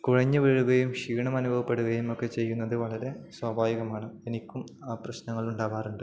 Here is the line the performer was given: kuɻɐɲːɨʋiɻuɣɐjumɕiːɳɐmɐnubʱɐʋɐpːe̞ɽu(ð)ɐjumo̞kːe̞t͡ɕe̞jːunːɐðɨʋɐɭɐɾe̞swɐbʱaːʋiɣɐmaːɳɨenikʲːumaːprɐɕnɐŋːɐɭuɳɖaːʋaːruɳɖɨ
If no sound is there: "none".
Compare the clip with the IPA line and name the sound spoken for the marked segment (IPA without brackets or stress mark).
ɣ